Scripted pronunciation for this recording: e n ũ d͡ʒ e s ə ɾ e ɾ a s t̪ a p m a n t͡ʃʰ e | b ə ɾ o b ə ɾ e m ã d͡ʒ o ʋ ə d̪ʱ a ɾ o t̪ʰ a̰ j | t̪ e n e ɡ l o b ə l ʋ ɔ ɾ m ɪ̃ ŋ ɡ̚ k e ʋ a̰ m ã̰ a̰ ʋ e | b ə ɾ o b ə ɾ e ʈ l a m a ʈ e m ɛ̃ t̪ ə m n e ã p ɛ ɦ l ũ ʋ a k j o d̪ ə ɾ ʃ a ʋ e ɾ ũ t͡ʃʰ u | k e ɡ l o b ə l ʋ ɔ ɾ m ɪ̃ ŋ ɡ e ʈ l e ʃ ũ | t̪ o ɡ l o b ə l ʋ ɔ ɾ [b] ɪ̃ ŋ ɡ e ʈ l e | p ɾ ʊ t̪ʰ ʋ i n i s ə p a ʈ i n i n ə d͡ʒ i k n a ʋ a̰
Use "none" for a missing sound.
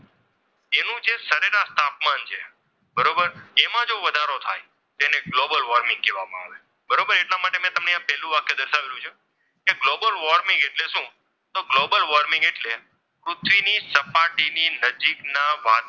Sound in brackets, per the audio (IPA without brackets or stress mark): m